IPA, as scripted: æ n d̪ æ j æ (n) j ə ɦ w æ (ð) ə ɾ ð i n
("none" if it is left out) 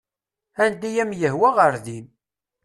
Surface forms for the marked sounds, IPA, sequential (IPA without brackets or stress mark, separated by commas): m, ʁ